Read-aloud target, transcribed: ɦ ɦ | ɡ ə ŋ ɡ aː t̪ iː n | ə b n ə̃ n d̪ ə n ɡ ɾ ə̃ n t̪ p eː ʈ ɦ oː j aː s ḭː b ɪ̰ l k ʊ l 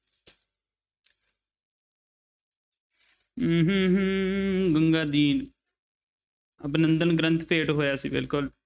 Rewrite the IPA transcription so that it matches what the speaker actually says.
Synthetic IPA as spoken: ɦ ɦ | ɡ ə ŋ ɡ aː d̪ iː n | ə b n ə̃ n d̪ ə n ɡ ɾ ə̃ n t̪ p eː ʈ ɦ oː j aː s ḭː b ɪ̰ l k ʊ l